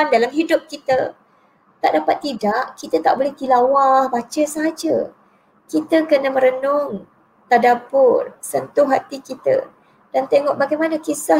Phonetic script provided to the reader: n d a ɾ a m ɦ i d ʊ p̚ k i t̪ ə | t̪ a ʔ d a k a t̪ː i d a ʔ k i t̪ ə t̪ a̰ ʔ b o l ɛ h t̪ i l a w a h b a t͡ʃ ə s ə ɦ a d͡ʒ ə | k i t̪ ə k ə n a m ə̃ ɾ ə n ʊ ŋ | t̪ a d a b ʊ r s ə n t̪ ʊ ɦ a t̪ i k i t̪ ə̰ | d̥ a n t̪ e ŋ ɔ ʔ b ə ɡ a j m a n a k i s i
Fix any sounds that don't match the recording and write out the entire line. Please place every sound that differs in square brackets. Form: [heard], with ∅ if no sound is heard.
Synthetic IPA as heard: n d a [l] a m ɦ i d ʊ p̚ k i t̪ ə | t̪ a ʔ d a [p] a t̪ː i d a ʔ k i t̪ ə t̪ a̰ ʔ b o l ɛ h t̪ i l a w a h b a t͡ʃ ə s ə ɦ a d͡ʒ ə | k i t̪ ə k ə n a m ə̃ ɾ ə n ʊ ŋ | t̪ a d a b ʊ r s ə n t̪ ʊ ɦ a t̪ i k i t̪ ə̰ | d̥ a n t̪ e ŋ ɔ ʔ b [a] ɡ a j m a n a k i s [a]